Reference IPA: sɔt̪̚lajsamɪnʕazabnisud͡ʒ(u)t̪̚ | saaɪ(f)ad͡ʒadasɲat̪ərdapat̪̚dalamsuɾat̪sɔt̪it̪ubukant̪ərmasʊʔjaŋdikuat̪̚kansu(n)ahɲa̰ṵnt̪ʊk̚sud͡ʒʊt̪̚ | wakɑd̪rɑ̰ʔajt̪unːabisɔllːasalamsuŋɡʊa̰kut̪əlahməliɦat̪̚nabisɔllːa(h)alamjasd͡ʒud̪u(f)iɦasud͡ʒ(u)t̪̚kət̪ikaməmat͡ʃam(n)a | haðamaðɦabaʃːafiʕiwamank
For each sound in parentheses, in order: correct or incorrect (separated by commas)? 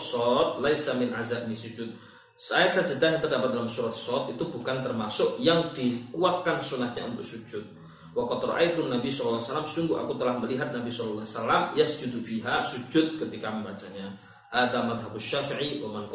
incorrect, incorrect, correct, incorrect, correct, incorrect, incorrect